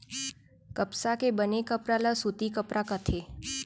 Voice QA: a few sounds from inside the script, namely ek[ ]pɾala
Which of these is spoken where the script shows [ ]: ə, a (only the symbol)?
ə